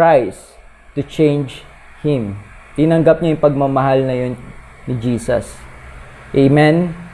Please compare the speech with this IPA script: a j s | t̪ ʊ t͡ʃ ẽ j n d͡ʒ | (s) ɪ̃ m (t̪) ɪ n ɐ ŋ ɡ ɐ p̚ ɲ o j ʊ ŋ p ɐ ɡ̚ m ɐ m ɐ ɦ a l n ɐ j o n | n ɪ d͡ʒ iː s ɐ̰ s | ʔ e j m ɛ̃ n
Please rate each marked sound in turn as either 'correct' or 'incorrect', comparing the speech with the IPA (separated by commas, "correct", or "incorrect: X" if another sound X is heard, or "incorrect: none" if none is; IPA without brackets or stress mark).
incorrect: h, correct